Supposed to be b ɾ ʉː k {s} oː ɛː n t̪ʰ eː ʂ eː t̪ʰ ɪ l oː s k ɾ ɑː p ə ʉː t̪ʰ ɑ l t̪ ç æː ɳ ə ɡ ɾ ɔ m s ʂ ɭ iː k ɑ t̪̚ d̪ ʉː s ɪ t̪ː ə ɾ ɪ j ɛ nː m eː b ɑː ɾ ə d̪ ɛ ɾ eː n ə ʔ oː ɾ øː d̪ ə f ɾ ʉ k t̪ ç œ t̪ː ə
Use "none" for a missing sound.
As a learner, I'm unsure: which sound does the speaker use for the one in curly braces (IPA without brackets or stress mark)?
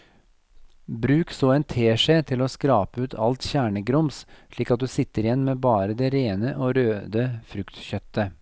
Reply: s